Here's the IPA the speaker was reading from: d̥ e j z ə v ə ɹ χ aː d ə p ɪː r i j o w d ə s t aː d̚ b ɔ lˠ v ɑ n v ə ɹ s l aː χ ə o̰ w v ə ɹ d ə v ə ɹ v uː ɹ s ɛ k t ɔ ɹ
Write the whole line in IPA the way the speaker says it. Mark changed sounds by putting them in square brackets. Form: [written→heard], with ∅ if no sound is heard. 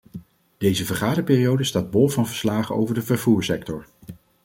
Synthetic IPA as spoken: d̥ e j z ə v ə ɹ χ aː d ə p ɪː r i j o w d ə s t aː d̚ b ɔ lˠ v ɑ n v ə ɹ s l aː χ ə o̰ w v ə ɹ d ə v ə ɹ v uː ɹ s ɛ k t ɔ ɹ